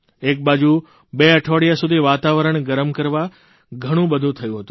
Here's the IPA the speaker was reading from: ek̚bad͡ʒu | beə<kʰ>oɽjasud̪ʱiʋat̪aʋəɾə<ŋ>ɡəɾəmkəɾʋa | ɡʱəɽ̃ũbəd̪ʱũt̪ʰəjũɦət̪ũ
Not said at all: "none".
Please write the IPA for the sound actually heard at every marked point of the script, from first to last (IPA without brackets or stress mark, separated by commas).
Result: ʈʰ, ɳ